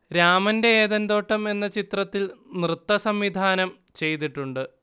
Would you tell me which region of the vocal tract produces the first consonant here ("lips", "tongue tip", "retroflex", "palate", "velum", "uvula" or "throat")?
tongue tip